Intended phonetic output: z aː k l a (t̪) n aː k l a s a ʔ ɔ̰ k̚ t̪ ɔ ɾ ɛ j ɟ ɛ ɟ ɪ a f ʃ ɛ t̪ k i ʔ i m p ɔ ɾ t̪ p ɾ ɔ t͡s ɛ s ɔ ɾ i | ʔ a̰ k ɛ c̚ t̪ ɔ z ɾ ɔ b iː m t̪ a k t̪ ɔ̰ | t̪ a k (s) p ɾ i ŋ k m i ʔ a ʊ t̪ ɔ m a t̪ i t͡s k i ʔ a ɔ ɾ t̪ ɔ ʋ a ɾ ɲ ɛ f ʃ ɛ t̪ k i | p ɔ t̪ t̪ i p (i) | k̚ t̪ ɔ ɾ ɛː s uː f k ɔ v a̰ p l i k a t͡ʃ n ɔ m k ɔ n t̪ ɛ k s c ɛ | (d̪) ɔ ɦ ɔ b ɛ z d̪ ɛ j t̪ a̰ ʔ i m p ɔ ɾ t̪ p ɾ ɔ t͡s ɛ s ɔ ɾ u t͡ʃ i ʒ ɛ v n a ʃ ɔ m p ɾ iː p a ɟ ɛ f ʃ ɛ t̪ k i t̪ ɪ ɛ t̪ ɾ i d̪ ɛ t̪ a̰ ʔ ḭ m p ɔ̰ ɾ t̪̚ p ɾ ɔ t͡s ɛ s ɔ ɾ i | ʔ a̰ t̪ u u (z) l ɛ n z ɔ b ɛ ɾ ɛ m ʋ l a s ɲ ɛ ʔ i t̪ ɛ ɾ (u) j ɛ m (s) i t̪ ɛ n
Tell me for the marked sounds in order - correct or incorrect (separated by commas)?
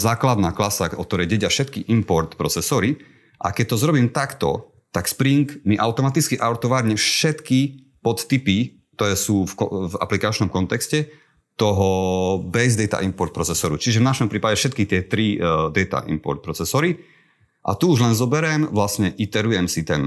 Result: incorrect, correct, correct, incorrect, incorrect, correct, correct